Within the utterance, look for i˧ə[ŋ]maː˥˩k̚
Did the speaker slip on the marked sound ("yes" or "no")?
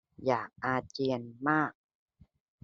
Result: yes